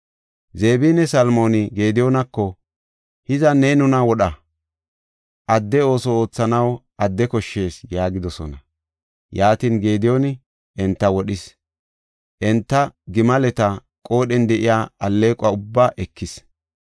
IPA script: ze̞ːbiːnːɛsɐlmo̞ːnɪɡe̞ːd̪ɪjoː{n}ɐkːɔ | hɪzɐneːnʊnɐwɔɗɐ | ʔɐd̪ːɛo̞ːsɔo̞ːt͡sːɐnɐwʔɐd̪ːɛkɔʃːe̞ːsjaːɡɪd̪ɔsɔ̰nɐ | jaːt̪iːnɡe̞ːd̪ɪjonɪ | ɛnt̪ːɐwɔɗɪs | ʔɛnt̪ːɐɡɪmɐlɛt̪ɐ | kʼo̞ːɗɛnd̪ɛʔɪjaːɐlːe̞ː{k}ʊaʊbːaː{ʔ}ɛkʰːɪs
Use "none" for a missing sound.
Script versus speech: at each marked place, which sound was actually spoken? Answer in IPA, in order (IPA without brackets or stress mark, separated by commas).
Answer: n, kʼ, ʔ